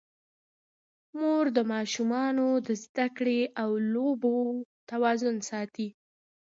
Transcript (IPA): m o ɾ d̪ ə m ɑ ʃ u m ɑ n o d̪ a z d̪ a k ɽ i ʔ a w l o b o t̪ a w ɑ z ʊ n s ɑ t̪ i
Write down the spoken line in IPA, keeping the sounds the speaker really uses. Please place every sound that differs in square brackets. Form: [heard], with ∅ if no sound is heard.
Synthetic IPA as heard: m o ɾ d̪ ə m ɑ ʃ u m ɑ n o d̪ [ə] z d̪ a k ɽ [e] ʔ a w l o b o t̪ a w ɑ z ʊ n s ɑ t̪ i